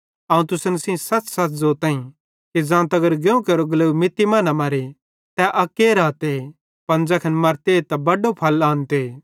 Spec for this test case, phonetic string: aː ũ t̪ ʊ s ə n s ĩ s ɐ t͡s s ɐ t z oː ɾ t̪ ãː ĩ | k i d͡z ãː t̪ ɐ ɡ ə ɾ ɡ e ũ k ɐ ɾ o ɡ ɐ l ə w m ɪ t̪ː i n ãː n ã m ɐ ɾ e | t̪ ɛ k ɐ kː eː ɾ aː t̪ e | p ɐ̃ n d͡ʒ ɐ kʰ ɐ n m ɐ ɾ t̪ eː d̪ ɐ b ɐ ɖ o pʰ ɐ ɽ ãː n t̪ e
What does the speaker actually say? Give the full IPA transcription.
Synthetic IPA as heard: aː ũ t̪ ʊ s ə n s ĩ s ɐ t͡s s ɐ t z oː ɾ t̪ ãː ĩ | k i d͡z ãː t̪ ɐ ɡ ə ɾ ɡ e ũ k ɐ ɾ o ɡ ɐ l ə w m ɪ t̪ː i m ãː n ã m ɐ ɾ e | t̪ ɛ ʔ ɐ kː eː ɾ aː t̪ e | p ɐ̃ n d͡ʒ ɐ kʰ ɐ n m ɐ ɾ t̪ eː t̪ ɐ b ɐ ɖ o pʰ ɐ l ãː n t̪ e